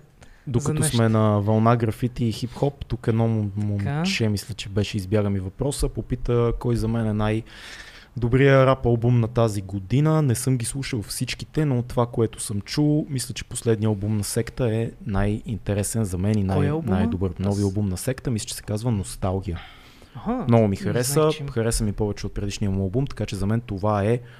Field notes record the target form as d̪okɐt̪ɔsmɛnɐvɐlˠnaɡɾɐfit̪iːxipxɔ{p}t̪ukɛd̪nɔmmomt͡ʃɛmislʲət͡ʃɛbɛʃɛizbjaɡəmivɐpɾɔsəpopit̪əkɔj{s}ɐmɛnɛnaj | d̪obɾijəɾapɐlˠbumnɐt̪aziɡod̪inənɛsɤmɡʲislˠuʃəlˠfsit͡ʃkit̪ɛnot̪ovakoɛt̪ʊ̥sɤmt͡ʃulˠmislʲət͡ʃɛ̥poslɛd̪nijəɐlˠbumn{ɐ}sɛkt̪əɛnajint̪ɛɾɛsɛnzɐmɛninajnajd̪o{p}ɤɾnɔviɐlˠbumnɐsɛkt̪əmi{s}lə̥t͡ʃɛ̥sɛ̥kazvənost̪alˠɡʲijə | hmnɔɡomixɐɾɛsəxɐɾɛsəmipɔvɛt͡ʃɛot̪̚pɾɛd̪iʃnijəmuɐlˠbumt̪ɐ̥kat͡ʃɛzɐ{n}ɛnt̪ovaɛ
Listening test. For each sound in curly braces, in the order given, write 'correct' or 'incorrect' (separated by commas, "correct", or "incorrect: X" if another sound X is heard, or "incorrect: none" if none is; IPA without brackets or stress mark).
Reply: correct, incorrect: z, correct, incorrect: b, correct, incorrect: m